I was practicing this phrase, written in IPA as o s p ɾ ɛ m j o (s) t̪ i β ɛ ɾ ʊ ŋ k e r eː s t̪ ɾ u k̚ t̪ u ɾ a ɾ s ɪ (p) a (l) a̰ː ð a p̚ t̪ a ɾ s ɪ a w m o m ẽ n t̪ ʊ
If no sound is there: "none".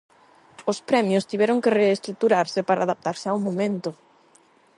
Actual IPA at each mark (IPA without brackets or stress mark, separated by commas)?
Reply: s, p, ɾ